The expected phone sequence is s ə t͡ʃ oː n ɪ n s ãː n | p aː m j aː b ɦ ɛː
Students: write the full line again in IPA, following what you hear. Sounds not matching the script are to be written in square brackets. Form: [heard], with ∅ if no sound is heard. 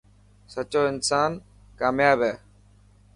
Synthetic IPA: s ə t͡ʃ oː [∅] ɪ n s [aː] n | [k] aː m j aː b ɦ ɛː